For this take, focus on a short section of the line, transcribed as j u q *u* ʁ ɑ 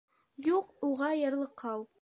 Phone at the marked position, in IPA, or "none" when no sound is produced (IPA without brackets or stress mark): u